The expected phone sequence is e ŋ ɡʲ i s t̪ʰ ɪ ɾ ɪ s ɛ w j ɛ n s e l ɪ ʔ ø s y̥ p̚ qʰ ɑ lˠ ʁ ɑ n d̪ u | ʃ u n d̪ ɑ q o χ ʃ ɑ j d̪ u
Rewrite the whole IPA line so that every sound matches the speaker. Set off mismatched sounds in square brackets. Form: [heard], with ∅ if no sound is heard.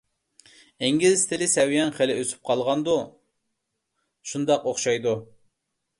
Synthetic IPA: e ŋ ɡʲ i [z] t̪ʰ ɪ [l] ɪ s ɛ w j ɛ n [χ] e l ɪ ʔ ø s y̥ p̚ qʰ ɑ lˠ ʁ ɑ n d̪ u | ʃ u n d̪ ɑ q o χ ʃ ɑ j d̪ u